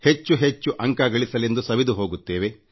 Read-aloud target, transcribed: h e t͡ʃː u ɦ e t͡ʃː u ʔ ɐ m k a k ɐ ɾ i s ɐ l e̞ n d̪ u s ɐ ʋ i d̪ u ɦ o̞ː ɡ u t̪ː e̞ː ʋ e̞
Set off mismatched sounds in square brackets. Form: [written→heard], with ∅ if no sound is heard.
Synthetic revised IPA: h e t͡ʃː u ɦ e t͡ʃː u ʔ ɐ [m→ŋ] k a [k→ɡ] ɐ [ɾ→ɭ] i s ɐ l e̞ n d̪ u s ɐ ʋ i d̪ u ɦ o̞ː ɡ u t̪ː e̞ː ʋ e̞